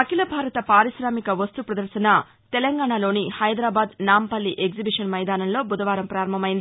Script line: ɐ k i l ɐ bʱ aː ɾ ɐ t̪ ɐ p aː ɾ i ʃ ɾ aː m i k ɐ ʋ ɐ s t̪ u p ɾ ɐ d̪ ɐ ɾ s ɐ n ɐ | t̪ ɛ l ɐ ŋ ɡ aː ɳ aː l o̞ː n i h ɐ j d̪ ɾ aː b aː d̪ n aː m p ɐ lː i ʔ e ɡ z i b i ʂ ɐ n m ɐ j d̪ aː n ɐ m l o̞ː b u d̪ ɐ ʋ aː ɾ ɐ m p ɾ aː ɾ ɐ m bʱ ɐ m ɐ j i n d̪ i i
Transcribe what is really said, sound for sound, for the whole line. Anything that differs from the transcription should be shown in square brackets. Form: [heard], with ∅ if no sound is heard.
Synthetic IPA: ɐ k i l ɐ bʱ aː ɾ ɐ t̪ ɐ p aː ɾ i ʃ ɾ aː m i k ɐ ʋ ɐ s t̪ u p ɾ ɐ d̪ ɐ ɾ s ɐ n ɐ | t̪ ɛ l ɐ ŋ ɡ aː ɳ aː l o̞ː n i h ɐ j d̪ ɾ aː b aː d̪ n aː m p ɐ lː i ʔ e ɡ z i b i ʂ ɐ n m ɐ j d̪ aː n ɐ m l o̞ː b u d̪ ɐ ʋ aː ɾ ɐ m p ɾ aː ɾ ɐ m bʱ ɐ m ɐ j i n d̪ i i